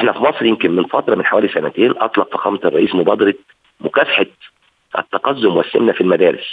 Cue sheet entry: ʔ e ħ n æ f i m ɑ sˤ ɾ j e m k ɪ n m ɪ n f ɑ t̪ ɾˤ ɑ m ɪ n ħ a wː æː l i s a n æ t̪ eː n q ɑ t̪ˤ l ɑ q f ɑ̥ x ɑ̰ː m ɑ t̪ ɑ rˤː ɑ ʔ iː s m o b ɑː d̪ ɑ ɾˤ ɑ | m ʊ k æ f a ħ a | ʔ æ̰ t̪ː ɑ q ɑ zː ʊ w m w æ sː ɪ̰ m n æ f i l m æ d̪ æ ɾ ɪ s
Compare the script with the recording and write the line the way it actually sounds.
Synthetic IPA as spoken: ʔ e ħ n æ f i m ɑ sˤ ɾ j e m k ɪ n m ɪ n f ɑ t̪ ɾˤ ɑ m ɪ n ħ a w æː l i s æ n æ t̪ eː n ʔ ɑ t̪ˤ l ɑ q f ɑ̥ x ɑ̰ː m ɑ t̪ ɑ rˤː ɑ ʔ iː s m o b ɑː d̪ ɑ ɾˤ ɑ | m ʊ k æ f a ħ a | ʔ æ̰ t̪ː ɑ q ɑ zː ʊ m w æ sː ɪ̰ m n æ f i l m æ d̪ æː ɾ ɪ s